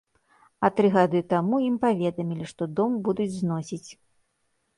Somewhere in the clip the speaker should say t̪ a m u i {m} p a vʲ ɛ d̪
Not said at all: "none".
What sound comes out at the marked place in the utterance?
m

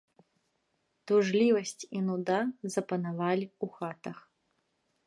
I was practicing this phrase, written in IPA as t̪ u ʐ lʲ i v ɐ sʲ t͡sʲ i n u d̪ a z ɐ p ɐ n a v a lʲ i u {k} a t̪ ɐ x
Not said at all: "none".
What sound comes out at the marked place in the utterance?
x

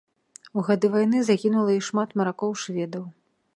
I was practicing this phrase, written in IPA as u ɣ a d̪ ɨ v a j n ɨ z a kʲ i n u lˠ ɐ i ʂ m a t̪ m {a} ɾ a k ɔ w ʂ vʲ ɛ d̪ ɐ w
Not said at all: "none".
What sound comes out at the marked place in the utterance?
ɐ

